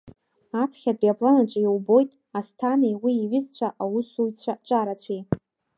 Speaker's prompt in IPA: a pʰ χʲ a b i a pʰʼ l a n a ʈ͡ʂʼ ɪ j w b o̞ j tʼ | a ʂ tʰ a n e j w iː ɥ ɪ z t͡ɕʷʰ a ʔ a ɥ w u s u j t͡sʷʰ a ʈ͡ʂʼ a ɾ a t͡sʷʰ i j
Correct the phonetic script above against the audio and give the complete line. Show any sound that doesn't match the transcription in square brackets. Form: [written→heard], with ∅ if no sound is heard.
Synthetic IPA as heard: a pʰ χʲ a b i a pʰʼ l a n a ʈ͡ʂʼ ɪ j w b o̞ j tʼ | a [ʂ→s] tʰ a n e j w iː ɥ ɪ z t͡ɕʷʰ a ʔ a [ɥ→∅] w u s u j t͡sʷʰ a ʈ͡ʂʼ a ɾ a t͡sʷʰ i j